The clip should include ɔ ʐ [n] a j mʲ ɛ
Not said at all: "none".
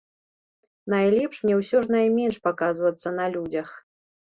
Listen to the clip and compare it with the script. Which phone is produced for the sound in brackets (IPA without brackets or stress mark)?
n